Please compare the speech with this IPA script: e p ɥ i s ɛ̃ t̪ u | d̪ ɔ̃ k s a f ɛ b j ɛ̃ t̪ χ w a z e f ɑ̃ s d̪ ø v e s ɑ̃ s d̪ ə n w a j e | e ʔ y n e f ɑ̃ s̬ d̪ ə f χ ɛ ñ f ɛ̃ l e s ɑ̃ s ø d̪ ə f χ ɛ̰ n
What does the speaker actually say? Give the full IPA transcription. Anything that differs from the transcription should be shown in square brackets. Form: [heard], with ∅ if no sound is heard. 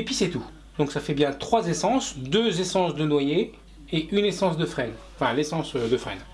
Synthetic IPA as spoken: e p ɥ i s [ɛ] t̪ u | d̪ ɔ̃ k s a f ɛ b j ɛ̃ t̪ χ w a z e [s] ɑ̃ s d̪ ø [z] e s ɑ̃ s d̪ ə n w a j e | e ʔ y n e [s] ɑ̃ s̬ d̪ ə f χ ɛ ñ f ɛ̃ l e s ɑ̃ s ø d̪ ə f χ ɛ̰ n

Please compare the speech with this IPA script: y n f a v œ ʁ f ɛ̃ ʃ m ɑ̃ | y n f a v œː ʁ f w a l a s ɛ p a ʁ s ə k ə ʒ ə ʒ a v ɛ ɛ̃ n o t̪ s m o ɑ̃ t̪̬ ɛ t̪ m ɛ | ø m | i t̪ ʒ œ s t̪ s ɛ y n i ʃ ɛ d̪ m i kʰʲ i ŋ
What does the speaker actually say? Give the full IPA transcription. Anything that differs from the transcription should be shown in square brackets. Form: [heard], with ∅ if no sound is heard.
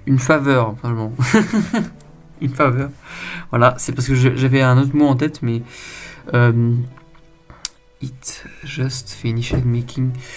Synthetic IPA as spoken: y n f a v œ ʁ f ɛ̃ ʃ m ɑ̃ | y n f a v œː ʁ [v] w a l a s ɛ p a ʁ s ə k ə ʒ ə ʒ a v ɛ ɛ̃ n o t̪ [χ] m o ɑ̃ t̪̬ ɛ t̪ m ɛ | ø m | i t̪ ʒ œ s t̪ [f] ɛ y n i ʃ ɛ d̪ m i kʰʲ i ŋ

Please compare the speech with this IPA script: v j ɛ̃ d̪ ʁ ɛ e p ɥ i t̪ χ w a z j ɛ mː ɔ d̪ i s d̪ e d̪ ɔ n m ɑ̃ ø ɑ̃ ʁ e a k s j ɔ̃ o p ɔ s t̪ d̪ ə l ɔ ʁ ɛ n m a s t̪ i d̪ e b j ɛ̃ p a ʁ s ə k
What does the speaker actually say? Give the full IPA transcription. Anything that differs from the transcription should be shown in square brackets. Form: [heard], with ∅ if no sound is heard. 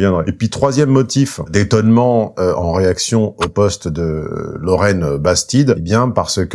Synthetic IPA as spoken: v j ɛ̃ d̪ ʁ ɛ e p ɥ i t̪ χ w a z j ɛ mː ɔ [t̪] i [f] d̪ e [t̪] ɔ n m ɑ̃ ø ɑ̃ ʁ e a k s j ɔ̃ o p ɔ s t̪ d̪ ə l ɔ ʁ ɛ n [b] a s t̪ i d̪ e b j ɛ̃ p a ʁ s ə k

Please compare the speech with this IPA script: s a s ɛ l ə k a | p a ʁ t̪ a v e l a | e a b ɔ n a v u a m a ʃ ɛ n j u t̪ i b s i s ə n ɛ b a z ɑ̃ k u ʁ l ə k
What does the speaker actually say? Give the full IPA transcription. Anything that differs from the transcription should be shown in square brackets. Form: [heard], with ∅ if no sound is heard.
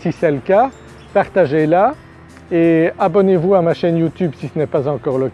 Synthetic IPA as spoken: s [i] s ɛ l ə k a | p a ʁ t̪ a [ʒ] e l a | e a b ɔ n [e] v u a m a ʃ ɛ n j u t̪ [y] b s i s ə n ɛ [p] a z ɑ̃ k [ɔ] ʁ l ə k

